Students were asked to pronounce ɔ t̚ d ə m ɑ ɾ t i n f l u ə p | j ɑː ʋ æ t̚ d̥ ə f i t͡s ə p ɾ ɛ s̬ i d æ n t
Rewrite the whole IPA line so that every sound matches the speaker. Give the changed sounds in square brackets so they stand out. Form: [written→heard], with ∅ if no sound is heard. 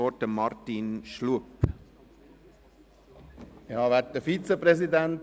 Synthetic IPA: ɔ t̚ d ə m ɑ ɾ t i n [f→ʃ] l u ə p | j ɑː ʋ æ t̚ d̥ ə f i t͡s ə p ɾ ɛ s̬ i d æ n t